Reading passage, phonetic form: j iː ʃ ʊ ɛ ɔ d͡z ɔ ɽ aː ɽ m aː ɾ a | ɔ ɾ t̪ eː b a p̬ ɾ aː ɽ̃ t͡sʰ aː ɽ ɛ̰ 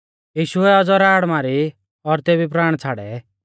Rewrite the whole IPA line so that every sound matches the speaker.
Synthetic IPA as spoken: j iː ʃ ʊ ɛ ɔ d͡z ɔ ɾ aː ɽ m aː ɾ i | ɔ ɾ t̪ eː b i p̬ ɾ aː ɽ̃ t͡sʰ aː ɽ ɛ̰